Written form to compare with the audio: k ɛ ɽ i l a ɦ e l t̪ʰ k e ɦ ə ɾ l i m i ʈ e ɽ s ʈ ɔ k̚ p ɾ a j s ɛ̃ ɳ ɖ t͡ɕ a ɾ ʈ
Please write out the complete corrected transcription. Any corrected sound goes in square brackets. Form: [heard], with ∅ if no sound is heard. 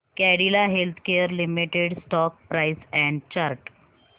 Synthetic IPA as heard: k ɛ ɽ i l a ɦ e l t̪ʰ k e [∅] ə ɾ l i m i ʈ e ɽ s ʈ ɔ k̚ p ɾ a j s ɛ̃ ɳ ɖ t͡ɕ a ɾ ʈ